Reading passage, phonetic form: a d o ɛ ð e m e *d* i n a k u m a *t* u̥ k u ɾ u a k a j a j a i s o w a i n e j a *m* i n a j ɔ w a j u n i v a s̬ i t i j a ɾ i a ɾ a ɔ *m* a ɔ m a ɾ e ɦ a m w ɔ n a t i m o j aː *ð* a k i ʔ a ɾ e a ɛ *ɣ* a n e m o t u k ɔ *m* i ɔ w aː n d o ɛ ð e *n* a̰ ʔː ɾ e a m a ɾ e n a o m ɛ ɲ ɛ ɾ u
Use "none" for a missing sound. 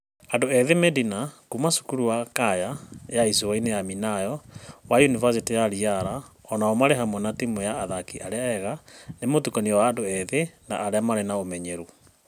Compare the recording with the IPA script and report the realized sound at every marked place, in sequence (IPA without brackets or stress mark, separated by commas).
d, s, m, n, ð, ɣ, n, n